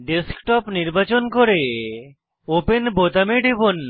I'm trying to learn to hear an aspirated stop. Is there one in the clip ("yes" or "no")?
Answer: no